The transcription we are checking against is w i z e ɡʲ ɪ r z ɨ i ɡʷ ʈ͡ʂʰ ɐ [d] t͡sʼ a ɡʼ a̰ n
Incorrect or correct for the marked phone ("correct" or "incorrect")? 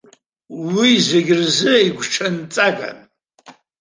incorrect